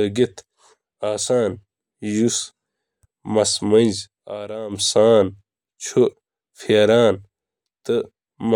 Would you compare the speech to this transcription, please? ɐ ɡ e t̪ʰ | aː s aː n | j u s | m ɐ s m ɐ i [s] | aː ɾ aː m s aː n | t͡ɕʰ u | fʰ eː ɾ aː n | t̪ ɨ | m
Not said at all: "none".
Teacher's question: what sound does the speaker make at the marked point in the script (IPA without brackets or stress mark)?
z